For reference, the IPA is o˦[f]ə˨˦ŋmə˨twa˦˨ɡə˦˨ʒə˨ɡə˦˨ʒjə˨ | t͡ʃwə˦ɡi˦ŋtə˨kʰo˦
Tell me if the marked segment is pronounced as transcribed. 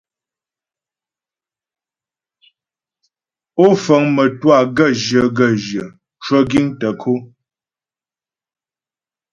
yes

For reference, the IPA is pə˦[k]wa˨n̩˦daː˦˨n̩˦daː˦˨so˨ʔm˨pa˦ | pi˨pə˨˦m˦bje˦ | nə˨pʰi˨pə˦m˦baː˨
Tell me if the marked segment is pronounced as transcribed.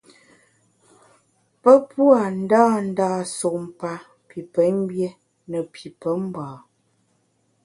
no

